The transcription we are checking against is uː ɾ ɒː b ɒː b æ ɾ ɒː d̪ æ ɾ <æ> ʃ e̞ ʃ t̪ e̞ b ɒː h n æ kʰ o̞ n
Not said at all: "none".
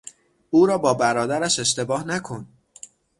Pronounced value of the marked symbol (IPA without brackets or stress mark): æ